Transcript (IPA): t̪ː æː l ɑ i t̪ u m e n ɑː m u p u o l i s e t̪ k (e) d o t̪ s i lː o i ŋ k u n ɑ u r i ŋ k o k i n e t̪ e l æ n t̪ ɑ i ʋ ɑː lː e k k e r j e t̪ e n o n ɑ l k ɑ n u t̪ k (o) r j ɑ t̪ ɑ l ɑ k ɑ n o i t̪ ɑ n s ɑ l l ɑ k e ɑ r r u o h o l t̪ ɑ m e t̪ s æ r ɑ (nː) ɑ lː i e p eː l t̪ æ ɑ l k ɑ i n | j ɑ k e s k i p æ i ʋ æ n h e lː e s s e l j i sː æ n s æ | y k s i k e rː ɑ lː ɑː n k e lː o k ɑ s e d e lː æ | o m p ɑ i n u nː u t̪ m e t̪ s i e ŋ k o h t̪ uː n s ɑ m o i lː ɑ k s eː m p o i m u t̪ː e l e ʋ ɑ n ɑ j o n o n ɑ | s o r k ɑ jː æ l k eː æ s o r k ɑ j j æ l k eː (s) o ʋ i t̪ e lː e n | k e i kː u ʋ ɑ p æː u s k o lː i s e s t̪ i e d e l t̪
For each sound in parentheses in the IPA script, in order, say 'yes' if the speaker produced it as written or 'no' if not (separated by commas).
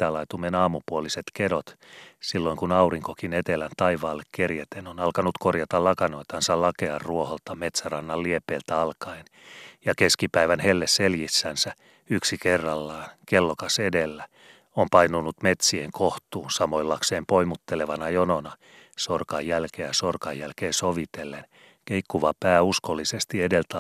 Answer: yes, yes, yes, yes